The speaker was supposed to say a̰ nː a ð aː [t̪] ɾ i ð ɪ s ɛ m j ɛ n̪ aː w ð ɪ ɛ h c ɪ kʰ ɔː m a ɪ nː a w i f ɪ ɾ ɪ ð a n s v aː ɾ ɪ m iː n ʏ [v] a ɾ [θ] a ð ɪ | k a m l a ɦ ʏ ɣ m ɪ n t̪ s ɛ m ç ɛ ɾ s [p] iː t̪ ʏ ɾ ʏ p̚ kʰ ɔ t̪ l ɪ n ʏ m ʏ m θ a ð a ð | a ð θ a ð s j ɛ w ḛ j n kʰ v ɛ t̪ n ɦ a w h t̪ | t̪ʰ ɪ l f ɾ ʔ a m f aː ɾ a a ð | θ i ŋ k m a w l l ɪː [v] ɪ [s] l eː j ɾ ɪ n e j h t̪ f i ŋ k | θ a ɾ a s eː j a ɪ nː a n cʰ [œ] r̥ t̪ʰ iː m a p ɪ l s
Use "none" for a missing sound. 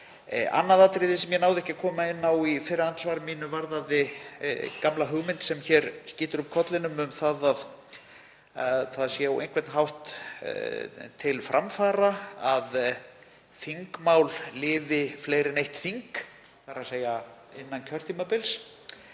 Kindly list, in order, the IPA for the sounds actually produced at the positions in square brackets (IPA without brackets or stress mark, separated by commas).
t̪, v, ð, c, v, f, œ